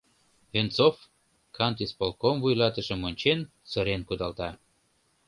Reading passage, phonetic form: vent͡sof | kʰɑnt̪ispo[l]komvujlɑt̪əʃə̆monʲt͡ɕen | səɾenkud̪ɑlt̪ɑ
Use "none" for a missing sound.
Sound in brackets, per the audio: l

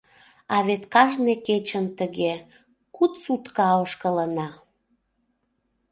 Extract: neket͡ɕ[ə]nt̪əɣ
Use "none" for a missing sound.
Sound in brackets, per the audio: ə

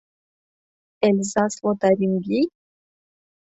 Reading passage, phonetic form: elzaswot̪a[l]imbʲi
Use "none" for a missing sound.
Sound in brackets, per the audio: ɾ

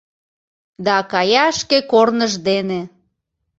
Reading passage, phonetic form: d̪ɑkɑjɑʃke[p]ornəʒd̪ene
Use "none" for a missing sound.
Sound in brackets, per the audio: k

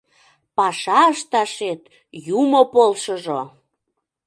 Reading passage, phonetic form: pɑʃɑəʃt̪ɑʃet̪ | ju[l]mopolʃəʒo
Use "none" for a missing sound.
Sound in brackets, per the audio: none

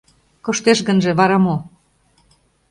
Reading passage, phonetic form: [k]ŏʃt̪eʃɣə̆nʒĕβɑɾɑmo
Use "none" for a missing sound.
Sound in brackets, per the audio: k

